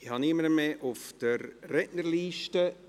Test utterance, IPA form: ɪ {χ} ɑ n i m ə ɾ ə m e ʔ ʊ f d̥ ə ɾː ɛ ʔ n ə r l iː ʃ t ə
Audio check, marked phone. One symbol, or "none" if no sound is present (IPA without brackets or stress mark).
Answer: h